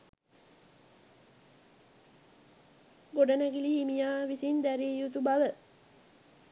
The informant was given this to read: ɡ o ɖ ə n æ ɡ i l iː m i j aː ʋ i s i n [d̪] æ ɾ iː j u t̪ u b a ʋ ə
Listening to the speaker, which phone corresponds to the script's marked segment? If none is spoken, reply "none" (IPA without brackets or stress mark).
d̪